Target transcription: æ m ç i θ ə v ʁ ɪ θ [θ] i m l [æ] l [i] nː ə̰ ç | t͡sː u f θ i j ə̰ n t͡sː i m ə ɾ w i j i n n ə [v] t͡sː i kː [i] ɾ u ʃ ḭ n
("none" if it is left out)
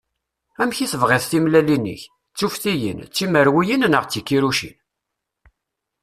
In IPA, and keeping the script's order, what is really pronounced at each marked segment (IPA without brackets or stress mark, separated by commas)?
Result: θ, æ, i, ʁ, i